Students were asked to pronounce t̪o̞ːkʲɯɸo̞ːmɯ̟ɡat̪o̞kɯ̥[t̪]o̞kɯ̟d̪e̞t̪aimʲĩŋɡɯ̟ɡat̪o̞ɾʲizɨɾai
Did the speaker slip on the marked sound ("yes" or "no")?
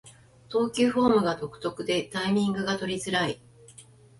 no